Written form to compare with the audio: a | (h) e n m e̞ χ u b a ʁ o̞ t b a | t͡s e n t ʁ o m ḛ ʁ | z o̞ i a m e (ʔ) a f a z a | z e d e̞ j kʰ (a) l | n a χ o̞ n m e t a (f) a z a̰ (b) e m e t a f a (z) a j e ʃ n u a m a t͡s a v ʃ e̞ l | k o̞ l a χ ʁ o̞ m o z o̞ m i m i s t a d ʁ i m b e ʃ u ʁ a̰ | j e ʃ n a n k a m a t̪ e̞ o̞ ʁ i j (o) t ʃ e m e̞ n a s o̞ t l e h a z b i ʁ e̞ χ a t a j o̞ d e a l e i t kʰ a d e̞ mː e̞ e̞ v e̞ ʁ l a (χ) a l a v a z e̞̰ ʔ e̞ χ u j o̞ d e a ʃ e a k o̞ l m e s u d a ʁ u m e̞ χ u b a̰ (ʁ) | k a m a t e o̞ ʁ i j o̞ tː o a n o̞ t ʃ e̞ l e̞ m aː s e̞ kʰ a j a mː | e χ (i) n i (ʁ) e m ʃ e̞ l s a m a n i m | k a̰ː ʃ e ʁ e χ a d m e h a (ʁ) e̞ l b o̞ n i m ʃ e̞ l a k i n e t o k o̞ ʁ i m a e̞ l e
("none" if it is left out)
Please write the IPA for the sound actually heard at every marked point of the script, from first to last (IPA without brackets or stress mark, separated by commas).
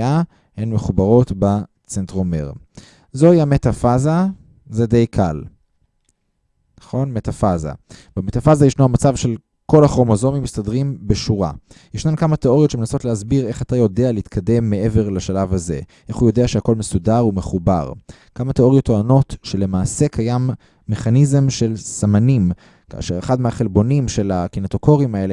h, t, a, f, b, z, o, ʃ, ʁ, a, z, χ